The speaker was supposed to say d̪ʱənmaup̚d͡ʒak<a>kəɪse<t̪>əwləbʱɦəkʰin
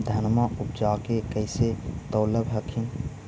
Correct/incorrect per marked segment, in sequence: incorrect: e, correct

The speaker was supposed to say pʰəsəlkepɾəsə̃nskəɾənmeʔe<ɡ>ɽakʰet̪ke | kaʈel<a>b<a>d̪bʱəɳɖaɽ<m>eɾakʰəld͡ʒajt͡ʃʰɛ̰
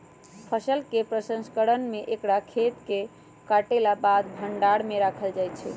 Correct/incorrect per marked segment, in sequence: incorrect: k, correct, correct, correct

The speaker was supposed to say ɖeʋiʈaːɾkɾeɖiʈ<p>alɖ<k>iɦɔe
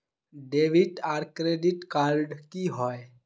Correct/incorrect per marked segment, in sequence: incorrect: k, correct

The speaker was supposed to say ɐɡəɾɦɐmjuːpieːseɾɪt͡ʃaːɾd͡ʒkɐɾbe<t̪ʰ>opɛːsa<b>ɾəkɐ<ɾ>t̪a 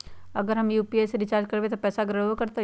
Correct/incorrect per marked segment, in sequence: incorrect: t̪, incorrect: ɡ, correct

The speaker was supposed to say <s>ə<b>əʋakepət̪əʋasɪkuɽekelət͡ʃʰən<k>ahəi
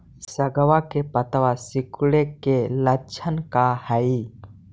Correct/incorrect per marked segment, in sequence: correct, incorrect: ɡ, correct

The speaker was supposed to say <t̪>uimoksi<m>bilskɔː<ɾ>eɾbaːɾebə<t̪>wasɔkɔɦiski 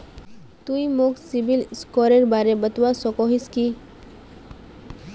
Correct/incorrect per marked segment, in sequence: correct, incorrect: none, correct, correct

